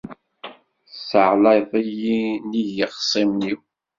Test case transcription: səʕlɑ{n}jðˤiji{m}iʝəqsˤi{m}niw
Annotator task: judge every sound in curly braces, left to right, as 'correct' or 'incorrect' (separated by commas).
incorrect, incorrect, correct